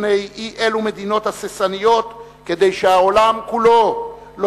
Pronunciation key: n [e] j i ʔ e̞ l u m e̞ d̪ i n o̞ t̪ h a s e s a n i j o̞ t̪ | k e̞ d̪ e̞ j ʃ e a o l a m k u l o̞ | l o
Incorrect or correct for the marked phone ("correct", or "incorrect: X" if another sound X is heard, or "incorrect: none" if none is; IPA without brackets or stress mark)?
correct